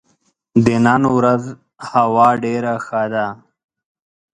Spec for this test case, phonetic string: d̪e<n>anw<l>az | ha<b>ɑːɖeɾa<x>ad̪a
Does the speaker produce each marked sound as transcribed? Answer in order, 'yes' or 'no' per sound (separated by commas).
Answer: yes, no, no, yes